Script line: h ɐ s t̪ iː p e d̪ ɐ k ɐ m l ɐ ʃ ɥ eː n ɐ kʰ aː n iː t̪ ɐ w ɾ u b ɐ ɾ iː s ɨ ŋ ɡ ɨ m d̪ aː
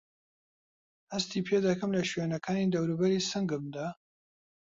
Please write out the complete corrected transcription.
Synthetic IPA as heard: h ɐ s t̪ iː pʰ e d̪ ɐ k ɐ m l ɐ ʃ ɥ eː n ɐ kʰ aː n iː d̪ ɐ w ɾ u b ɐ ɾ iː s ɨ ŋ ɡ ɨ m d̪ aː